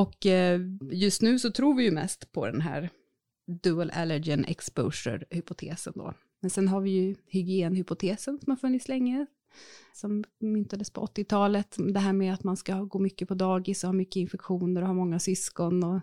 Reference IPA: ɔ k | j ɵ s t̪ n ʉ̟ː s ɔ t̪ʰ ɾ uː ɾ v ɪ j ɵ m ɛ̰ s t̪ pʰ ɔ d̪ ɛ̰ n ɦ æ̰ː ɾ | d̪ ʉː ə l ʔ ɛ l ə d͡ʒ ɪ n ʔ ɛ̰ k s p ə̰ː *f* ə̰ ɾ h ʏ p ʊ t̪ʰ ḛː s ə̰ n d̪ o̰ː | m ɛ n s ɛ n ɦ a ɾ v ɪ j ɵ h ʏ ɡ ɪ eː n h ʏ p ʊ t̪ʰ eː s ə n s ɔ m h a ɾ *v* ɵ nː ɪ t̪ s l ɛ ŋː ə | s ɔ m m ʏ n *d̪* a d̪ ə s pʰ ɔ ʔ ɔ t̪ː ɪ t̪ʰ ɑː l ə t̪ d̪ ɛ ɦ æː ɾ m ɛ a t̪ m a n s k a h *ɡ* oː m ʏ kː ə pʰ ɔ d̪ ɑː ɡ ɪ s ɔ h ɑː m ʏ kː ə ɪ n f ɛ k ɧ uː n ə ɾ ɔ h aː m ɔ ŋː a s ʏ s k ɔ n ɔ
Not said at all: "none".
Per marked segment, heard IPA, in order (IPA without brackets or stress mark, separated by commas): ʂ, f, t̪, ɡ